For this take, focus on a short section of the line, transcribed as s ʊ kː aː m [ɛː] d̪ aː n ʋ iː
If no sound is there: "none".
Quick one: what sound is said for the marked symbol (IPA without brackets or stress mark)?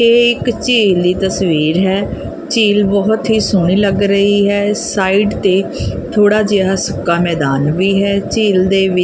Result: ɛː